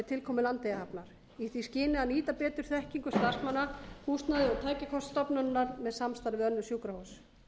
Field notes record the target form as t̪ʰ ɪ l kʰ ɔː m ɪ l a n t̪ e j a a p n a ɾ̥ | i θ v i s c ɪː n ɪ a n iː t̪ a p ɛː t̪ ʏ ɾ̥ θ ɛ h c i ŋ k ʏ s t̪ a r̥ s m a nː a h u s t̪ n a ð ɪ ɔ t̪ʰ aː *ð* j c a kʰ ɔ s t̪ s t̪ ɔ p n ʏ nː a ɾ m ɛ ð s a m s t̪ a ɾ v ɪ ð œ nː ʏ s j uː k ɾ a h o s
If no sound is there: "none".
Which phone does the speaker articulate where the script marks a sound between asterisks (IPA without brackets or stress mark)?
none